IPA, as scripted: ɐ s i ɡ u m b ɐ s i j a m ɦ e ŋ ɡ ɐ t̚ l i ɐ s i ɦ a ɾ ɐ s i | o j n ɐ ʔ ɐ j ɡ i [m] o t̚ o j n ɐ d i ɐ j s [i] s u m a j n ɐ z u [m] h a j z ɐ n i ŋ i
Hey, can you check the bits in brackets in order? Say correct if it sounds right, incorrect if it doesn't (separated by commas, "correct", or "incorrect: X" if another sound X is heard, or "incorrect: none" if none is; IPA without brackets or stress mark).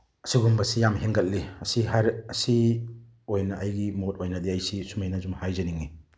correct, correct, correct